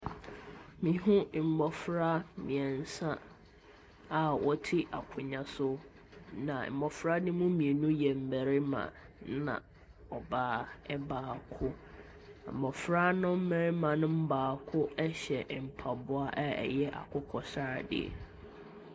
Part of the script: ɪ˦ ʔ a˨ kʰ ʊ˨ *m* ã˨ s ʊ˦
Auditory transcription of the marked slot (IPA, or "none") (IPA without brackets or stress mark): ɲ